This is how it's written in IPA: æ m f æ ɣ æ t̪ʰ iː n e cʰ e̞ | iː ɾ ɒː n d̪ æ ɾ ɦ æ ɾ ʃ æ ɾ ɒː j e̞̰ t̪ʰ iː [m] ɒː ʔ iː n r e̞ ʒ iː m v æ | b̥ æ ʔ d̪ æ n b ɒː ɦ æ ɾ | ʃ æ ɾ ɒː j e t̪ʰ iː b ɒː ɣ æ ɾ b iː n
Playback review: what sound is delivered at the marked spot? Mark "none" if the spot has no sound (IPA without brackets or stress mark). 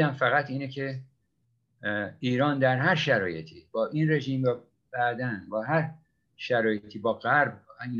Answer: b